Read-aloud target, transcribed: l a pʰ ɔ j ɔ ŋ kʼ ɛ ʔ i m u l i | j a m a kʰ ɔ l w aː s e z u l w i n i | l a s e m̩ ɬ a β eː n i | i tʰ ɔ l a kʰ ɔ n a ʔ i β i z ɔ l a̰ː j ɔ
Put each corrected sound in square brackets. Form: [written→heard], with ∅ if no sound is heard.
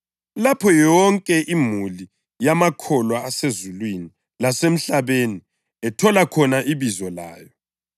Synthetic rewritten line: l a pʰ ɔ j ɔ ŋ kʼ ɛ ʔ i m u l i | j a m a kʰ ɔ l w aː s e z u l w i n i | l a s e m̩ ɬ a β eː n i | [i→ɛ] tʰ ɔ l a kʰ ɔ n a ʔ i β i z ɔ l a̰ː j ɔ